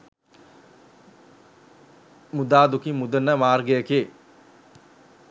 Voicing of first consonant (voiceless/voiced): voiced